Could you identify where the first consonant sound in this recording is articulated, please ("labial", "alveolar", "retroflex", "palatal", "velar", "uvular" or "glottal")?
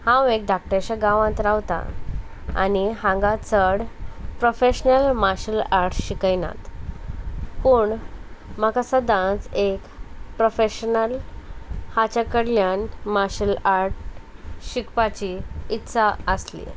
glottal